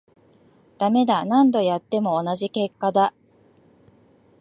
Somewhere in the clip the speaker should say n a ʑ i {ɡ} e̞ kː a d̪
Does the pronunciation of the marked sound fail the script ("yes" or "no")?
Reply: yes